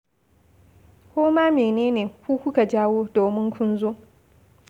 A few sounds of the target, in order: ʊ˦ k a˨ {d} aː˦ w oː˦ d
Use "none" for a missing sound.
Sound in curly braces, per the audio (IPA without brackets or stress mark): d͡ʒ